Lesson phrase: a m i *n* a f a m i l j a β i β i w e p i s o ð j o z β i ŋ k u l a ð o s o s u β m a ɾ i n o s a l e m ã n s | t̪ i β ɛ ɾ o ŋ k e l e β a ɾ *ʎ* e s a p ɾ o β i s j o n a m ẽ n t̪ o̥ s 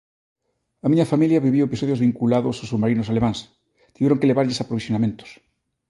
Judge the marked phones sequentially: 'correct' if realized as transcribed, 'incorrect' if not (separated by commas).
incorrect, correct